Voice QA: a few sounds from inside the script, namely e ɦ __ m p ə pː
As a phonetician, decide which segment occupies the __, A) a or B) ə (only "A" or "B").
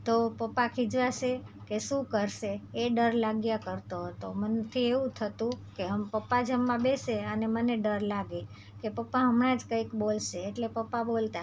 B